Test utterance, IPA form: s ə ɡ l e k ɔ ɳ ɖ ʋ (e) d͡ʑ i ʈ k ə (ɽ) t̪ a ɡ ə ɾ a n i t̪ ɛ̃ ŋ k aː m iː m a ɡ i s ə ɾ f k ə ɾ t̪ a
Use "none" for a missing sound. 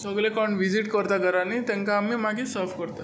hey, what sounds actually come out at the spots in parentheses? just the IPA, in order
i, ɾ

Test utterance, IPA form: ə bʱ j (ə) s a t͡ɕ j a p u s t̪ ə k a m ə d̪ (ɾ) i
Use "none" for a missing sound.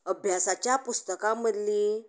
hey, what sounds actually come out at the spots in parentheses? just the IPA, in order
a, l

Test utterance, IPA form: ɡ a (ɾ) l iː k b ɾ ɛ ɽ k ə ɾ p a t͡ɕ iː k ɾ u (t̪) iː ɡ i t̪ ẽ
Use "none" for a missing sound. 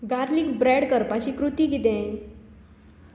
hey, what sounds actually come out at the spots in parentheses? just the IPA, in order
ɾ, t̪

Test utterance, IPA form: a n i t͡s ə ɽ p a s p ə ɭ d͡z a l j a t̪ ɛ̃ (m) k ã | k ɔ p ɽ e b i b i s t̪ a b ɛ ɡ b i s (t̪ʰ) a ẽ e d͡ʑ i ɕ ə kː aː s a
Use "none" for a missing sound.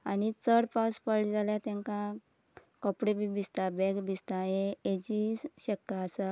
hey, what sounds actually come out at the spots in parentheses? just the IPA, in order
ŋ, t̪

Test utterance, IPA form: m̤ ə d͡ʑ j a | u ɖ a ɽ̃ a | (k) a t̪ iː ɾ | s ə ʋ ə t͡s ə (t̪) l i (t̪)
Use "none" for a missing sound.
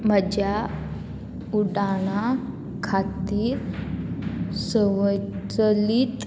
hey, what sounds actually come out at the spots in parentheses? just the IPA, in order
kʰ, none, t̪

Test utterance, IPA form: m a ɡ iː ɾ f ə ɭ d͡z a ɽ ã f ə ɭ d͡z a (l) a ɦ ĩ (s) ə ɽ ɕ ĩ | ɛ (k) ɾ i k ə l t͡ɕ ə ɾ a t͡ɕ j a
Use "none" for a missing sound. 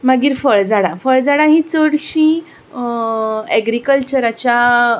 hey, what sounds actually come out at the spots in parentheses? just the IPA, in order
ɽ, t͡s, ɡ

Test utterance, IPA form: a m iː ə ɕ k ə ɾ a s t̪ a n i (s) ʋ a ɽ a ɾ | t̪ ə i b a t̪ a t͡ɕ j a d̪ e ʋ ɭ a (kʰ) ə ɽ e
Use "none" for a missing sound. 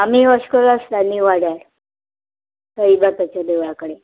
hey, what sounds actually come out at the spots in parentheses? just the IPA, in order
none, k

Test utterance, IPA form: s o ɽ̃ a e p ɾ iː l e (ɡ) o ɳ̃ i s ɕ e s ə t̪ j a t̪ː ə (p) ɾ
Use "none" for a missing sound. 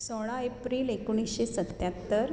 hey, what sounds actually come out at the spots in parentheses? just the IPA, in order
k, none

